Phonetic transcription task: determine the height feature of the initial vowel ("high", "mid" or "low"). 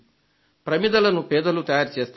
low